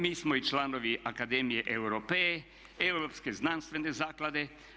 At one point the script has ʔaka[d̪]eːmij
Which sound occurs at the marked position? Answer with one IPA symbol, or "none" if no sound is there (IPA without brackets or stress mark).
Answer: d̪